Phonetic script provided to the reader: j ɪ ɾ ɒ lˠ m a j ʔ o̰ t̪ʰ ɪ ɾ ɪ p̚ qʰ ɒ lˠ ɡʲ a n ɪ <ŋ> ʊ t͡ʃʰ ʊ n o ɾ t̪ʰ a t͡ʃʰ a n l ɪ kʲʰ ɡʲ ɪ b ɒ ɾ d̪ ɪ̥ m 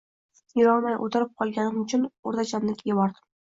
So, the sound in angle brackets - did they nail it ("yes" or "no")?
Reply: no